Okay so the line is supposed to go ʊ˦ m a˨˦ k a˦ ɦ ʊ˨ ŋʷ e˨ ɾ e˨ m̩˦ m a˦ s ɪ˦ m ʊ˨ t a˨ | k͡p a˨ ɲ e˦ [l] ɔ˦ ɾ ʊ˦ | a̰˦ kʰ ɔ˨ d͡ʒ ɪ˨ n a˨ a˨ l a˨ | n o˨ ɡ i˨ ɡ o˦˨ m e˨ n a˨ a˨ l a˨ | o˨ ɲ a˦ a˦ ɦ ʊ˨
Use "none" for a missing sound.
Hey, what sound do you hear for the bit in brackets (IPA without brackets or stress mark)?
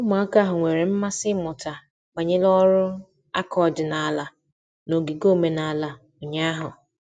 l